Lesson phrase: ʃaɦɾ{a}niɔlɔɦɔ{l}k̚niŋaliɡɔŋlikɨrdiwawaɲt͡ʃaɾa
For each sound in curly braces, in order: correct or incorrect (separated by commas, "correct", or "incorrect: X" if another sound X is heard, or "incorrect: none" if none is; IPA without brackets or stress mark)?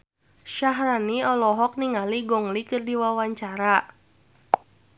correct, incorrect: none